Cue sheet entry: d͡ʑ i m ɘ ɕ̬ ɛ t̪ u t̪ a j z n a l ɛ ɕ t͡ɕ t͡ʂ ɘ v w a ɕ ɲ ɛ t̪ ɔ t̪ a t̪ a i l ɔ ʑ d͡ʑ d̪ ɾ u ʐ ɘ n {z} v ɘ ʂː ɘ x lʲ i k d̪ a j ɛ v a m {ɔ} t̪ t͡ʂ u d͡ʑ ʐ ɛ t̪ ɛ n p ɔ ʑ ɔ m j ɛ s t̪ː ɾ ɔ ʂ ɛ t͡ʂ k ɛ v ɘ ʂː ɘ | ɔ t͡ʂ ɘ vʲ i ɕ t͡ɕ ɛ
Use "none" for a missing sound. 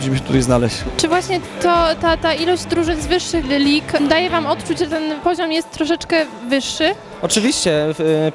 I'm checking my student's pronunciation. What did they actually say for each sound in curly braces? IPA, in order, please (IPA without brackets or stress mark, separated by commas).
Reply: z, ɔ